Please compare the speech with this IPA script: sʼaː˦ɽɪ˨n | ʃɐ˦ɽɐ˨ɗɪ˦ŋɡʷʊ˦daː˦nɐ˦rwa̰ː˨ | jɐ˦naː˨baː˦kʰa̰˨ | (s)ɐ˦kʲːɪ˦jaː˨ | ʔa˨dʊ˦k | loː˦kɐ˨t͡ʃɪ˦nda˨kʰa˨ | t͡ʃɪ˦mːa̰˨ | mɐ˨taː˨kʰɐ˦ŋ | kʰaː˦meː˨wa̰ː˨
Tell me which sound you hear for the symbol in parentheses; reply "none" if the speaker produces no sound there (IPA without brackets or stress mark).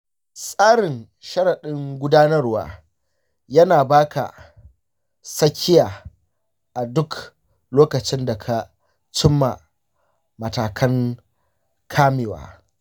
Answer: s